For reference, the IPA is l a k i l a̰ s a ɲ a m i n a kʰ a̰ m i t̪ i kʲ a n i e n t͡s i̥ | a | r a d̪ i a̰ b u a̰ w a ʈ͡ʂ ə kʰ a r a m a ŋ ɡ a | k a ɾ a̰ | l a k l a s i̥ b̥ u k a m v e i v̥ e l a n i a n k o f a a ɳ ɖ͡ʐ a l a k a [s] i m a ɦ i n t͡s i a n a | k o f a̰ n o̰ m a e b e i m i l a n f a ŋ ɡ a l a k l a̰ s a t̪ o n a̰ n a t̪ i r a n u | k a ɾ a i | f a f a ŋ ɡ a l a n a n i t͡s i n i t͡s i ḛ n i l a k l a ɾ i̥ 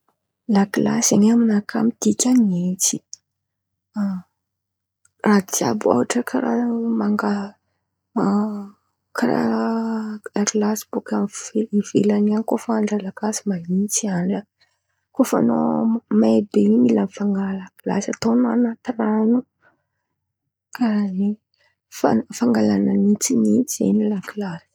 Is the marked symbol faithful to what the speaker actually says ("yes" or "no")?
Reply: yes